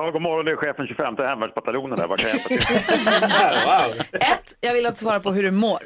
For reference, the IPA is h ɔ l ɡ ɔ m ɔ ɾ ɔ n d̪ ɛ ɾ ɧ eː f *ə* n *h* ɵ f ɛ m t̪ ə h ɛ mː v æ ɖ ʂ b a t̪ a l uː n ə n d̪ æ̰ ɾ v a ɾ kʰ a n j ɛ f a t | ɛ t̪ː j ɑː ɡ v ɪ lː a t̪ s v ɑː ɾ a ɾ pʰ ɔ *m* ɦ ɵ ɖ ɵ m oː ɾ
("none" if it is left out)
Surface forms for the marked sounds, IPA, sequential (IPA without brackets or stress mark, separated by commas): ə, ɕ, none